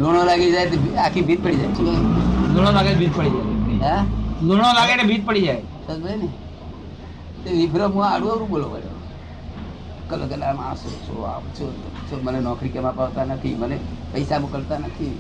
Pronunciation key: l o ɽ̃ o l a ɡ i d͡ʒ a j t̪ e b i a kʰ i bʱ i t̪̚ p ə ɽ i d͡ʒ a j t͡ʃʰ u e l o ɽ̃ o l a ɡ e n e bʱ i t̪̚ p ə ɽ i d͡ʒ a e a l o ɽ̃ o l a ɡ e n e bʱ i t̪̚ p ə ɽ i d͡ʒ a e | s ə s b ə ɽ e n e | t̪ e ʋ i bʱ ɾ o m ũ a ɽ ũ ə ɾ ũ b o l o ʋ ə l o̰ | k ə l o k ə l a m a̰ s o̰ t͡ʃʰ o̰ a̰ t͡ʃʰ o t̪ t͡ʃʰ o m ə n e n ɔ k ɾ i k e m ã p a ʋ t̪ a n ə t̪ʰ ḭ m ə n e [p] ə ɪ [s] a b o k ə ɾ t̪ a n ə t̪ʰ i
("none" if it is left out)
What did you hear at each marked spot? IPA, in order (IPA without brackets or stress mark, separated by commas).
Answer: p, s